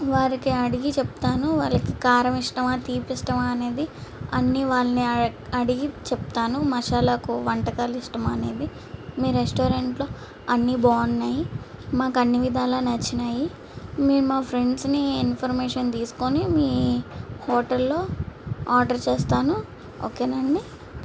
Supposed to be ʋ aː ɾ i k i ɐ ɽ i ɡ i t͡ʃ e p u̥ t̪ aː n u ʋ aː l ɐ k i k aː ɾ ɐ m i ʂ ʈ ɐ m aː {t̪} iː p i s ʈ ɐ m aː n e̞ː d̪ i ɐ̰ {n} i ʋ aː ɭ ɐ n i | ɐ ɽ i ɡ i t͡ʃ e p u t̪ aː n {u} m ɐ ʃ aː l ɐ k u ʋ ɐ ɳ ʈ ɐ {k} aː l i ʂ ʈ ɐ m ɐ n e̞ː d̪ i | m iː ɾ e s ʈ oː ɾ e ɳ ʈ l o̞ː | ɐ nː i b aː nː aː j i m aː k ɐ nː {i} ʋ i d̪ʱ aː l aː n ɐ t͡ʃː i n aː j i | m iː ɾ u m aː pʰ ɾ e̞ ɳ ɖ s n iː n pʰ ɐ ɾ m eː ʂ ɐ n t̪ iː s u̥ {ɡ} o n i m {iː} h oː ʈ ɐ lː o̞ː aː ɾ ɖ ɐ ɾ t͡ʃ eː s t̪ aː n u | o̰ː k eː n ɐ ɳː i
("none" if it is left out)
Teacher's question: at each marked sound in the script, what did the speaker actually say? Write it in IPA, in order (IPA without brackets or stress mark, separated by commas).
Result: t̪, nː, u, k, i, k, iː